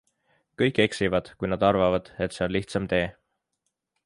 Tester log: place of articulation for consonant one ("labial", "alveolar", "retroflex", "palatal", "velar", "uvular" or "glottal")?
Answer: velar